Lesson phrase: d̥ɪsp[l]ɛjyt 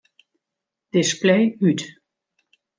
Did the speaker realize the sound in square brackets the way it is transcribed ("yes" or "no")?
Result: yes